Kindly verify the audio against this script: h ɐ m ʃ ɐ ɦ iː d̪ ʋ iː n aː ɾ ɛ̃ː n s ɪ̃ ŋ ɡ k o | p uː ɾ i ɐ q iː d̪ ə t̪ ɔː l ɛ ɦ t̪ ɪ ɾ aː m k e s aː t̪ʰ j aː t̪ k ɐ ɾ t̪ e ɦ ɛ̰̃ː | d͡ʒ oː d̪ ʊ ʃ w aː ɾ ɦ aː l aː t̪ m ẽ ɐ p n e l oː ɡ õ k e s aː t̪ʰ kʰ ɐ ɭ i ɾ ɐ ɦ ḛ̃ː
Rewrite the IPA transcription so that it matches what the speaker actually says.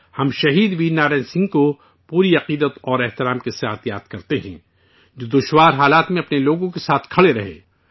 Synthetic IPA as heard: h ɐ m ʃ ɐ ɦ iː d̪ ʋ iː n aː ɾ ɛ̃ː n s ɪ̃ ŋ ɡ k o | p uː ɾ i ɐ q iː d̪ ə t̪ ɔː ɾ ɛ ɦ t̪ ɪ ɾ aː m k e s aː t̪ʰ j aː t̪ k ɐ ɾ t̪ e ɦ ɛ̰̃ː | d͡ʒ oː d̪ ʊ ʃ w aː ɾ ɦ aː l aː t̪ m ẽ ɐ p n e l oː ɡ õ k e s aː t̪ʰ kʰ ɐ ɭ e ɾ ɐ ɦ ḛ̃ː